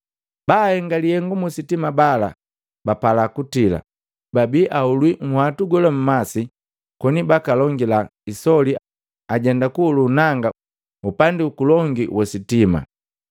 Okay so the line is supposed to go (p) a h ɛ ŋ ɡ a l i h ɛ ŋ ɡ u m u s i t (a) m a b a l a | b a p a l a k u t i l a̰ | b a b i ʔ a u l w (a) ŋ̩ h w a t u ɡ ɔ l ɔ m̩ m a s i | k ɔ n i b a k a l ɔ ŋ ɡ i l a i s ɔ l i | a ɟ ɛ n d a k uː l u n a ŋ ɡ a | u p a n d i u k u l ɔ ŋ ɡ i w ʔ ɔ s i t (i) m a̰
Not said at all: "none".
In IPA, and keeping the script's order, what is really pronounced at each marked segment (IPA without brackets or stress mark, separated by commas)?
b, i, i, i